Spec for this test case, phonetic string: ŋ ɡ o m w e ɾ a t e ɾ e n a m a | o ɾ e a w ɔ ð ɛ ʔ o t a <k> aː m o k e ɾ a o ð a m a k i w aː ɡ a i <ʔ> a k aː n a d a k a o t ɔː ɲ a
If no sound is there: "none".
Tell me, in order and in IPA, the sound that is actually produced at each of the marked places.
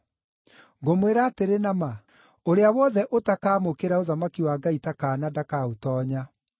k, t

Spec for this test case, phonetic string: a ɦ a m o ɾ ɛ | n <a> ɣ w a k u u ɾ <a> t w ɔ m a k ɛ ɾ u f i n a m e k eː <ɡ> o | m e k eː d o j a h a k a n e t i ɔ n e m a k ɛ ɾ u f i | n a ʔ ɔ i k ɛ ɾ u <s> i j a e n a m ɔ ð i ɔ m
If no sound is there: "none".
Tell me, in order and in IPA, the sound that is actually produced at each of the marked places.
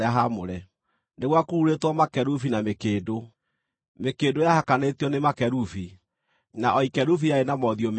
e, e, d, f

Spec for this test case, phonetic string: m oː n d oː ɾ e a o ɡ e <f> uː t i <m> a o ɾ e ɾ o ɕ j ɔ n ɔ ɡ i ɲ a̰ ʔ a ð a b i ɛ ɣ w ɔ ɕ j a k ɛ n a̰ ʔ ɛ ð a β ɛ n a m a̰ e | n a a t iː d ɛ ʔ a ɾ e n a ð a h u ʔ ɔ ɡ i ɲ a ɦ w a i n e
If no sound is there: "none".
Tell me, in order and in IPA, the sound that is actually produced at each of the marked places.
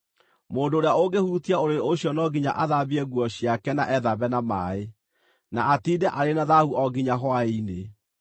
h, none

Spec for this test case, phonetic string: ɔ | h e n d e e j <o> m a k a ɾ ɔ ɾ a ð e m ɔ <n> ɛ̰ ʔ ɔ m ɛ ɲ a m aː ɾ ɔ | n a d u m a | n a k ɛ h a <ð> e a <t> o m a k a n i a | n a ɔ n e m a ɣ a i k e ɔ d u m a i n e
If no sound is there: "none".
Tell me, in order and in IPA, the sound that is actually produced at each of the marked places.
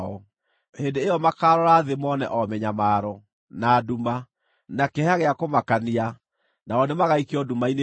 ɔ, n, ɣ, k

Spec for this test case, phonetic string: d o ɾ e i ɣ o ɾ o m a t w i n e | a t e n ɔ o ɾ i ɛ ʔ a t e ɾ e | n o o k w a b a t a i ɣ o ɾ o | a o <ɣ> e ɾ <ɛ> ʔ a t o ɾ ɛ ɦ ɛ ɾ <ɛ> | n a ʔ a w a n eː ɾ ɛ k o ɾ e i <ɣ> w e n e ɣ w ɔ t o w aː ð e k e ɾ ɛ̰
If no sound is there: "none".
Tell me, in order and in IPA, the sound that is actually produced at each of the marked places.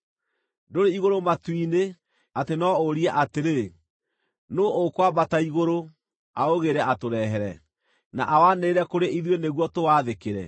ɣ, ɛ, ɛ, ð

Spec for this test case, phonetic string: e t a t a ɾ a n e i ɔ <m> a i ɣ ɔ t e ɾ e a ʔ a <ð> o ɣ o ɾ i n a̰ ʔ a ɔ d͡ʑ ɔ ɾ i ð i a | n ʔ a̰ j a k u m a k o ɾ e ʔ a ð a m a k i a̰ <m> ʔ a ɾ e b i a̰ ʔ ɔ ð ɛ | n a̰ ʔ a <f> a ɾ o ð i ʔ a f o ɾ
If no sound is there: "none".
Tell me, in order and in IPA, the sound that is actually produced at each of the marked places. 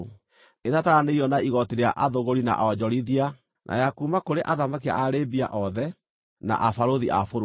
n, ð, none, f

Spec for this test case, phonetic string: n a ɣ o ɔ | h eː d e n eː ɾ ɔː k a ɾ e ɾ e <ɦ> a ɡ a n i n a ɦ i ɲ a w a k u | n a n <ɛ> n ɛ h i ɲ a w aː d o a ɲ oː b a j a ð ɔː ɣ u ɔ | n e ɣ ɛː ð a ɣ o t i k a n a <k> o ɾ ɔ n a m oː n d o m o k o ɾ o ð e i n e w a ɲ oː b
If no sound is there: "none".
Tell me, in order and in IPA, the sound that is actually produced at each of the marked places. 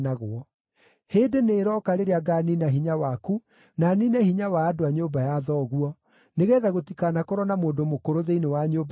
none, i, k

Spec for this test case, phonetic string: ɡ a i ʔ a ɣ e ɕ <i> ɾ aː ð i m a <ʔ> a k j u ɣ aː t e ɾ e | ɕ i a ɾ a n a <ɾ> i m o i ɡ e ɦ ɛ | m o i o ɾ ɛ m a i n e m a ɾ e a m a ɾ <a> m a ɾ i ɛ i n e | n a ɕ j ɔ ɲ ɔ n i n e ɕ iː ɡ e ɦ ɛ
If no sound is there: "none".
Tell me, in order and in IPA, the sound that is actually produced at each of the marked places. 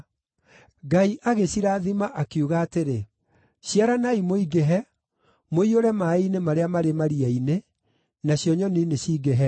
i, ʔ, none, e

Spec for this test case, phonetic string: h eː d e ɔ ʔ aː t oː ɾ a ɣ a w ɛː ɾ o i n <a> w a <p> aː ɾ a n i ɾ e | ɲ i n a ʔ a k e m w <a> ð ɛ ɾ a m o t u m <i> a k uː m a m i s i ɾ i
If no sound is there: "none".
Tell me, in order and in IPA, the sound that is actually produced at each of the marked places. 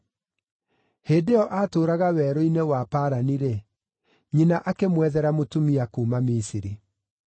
e, p, ɛ, i

